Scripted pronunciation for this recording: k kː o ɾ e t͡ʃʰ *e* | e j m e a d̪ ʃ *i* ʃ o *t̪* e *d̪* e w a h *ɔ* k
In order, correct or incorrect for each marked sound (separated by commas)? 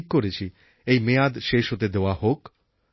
incorrect, incorrect, correct, correct, incorrect